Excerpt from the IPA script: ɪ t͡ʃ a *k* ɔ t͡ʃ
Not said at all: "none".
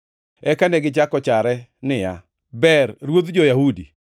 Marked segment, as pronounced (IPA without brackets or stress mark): k